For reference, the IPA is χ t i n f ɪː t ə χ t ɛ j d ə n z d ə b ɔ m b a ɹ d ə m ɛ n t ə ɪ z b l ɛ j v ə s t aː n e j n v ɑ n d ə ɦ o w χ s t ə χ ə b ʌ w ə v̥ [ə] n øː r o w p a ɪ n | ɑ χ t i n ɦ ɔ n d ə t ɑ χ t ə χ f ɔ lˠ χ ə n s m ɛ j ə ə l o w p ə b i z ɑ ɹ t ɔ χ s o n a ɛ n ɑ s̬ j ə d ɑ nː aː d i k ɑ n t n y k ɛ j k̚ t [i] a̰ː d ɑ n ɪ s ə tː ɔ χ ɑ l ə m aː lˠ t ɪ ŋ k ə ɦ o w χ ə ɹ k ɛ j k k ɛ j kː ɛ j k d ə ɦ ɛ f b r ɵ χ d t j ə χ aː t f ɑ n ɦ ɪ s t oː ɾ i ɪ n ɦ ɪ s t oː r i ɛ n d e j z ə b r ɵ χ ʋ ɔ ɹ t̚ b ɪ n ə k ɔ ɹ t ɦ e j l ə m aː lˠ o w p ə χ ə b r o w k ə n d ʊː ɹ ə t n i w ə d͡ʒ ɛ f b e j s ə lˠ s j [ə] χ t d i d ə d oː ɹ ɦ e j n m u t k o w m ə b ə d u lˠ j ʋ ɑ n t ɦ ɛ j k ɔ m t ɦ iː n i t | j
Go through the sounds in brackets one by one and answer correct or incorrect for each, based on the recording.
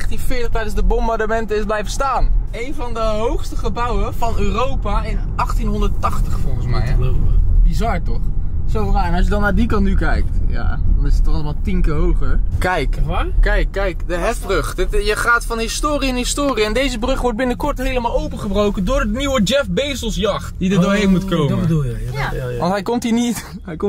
incorrect: ɑ, incorrect: j, incorrect: ɑ

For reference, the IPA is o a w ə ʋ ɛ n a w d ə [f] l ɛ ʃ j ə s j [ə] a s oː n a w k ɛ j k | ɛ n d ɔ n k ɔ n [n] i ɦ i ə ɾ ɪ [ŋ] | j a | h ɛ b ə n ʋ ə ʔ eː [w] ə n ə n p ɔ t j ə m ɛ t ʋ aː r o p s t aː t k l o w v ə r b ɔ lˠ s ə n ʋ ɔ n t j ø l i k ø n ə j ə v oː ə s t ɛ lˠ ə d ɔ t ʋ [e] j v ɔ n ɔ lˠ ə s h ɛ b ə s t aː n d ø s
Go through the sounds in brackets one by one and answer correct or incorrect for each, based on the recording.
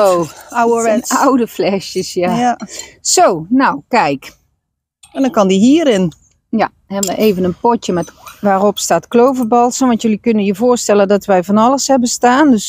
correct, incorrect: a, incorrect: d, incorrect: n, incorrect: v, incorrect: ɛ

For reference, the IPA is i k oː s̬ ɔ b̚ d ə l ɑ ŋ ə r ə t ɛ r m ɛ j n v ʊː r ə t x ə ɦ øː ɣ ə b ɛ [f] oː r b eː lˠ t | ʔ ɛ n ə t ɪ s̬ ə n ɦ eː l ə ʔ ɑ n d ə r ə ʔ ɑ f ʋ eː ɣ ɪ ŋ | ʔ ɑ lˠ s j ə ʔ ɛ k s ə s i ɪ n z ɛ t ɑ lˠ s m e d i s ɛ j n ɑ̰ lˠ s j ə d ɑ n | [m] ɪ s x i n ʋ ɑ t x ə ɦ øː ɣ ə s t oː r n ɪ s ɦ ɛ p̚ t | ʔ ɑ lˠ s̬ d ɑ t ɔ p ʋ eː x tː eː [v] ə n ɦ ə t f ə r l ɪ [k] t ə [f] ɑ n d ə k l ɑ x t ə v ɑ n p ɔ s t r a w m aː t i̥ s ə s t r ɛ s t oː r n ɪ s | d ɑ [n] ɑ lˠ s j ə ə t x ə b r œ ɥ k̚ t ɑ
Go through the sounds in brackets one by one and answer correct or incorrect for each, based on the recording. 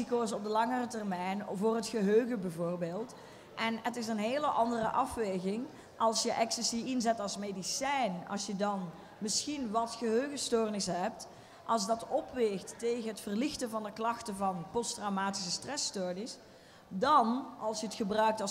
incorrect: v, correct, incorrect: ɣ, incorrect: x, incorrect: v, correct

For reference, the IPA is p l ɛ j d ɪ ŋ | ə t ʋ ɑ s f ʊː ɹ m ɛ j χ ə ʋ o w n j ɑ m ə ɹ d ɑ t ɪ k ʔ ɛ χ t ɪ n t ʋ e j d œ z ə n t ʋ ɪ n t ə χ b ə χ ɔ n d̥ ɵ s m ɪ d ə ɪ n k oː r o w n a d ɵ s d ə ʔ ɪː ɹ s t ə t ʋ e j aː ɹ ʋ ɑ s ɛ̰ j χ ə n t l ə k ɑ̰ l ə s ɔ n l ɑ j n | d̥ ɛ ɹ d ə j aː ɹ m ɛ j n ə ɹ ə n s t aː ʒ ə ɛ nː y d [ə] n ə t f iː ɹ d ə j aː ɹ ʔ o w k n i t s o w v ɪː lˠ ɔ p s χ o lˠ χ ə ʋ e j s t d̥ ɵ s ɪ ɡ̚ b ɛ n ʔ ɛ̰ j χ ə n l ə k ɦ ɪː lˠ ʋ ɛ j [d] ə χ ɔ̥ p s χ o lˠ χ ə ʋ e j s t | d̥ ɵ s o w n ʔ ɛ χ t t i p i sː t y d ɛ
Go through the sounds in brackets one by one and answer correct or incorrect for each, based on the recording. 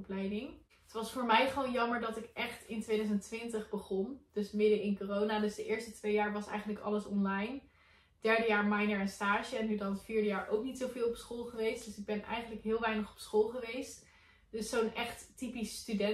incorrect: ɑ, incorrect: n

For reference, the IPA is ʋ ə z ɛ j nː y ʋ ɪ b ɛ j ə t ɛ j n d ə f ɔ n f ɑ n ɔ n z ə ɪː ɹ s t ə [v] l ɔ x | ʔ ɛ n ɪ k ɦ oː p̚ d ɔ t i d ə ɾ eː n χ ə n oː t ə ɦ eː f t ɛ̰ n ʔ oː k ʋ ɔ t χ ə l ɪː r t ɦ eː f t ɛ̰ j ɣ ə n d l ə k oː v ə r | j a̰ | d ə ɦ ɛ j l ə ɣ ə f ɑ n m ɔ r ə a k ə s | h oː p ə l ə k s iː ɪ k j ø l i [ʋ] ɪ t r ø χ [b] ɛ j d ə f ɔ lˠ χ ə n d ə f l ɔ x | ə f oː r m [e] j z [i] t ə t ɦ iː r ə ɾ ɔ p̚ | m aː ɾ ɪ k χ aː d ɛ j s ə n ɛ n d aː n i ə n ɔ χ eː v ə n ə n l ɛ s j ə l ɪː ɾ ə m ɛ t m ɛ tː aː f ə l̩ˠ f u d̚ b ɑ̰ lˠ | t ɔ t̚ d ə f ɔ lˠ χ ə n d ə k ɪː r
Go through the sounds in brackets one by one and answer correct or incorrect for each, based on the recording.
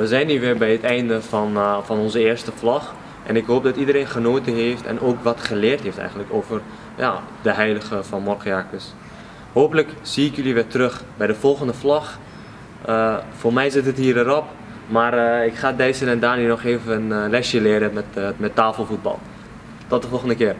incorrect: f, correct, correct, incorrect: ɛ, incorrect: ɪ

